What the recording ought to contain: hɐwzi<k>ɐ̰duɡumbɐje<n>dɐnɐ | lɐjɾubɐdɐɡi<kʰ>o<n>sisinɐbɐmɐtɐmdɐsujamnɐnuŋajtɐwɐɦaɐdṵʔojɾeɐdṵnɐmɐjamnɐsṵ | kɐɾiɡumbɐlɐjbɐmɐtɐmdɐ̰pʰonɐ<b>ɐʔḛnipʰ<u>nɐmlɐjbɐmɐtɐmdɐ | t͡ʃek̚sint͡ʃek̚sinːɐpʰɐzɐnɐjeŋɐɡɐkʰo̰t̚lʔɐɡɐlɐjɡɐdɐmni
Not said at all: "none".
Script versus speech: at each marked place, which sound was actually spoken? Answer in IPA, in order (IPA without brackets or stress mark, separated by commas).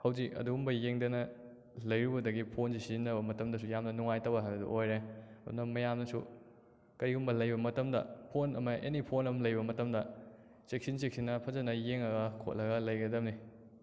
k, ŋ, pʰ, n, m, o